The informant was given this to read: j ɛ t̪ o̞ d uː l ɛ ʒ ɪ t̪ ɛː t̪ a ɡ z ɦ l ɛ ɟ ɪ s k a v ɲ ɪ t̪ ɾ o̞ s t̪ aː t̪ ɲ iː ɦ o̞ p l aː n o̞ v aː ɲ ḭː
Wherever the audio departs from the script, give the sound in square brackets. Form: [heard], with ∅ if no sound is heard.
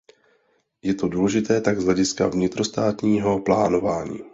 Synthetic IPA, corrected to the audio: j ɛ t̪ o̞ d uː l ɛ ʒ ɪ t̪ ɛː t̪ a ɡ z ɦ l ɛ ɟ ɪ s k a v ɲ ɪ t̪ ɾ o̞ s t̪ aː t̪ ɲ iː ɦ o̞ p l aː n o̞ v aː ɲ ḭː

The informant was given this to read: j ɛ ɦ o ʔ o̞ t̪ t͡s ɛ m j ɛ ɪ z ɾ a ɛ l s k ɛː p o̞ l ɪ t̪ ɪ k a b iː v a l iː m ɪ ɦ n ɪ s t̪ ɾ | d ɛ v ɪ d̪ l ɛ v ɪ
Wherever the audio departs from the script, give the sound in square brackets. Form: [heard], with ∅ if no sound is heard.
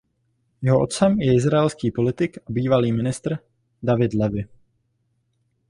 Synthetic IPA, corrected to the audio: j ɛ ɦ o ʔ o̞ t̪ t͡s ɛ m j ɛ ɪ z ɾ a ɛ l s k [iː] p o̞ l ɪ t̪ ɪ k a b iː v a l iː m ɪ [∅] n ɪ s t̪ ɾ | d [a] v ɪ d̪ l ɛ v ɪ

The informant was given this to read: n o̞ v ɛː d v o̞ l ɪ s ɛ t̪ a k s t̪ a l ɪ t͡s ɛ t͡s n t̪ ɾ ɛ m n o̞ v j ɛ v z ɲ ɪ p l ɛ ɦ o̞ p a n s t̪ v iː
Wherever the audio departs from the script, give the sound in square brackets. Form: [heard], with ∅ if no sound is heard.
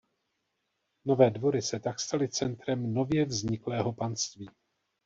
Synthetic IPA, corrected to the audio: n o̞ v ɛː d v o̞ [ɾ] ɪ s ɛ t̪ a k s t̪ a l ɪ t͡s ɛ [∅] n t̪ ɾ ɛ m n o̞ v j ɛ v z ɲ ɪ [k] l [ɛː] ɦ o̞ p a n s t̪ v iː

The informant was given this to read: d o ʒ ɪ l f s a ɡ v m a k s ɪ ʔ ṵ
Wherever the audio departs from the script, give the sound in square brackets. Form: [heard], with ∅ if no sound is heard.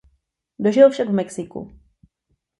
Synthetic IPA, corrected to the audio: d o ʒ ɪ l f [ʃ] a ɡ v m [ɛ] k s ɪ [k] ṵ

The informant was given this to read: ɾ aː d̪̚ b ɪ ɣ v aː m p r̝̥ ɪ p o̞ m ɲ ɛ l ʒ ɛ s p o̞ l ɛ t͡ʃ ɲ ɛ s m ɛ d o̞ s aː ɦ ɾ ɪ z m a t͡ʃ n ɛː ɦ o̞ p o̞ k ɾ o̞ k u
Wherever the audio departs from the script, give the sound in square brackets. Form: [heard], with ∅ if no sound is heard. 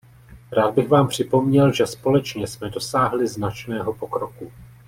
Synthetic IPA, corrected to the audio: ɾ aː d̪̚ b ɪ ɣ v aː m p r̝̥ ɪ p o̞ m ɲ ɛ l ʒ ɛ s p o̞ l ɛ t͡ʃ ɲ ɛ s m ɛ d o̞ s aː ɦ [l] ɪ z [n] a t͡ʃ n ɛː ɦ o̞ p o̞ k ɾ o̞ k u

